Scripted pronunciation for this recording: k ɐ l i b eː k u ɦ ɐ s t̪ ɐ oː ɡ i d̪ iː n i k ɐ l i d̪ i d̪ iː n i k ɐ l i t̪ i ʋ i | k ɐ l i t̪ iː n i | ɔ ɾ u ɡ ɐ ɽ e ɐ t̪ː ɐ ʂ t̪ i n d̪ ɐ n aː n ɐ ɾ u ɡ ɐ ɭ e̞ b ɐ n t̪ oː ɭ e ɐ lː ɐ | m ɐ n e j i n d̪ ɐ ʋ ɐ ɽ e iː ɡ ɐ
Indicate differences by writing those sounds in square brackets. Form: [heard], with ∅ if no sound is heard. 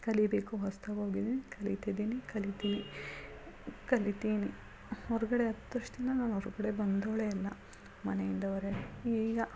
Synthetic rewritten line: k ɐ l i b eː k u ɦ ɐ s t̪ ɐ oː ɡ i d̪ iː n i k ɐ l i [t̪] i d̪ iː n i k ɐ l i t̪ i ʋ i | k ɐ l i t̪ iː n i | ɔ ɾ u ɡ ɐ ɽ e ɐ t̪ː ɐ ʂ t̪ i n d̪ ɐ n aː n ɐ ɾ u ɡ ɐ [ɽ] e̞ b ɐ n [d̪] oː ɭ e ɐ lː ɐ | m ɐ n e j i n d̪ ɐ ʋ ɐ [ɾ] e iː ɡ ɐ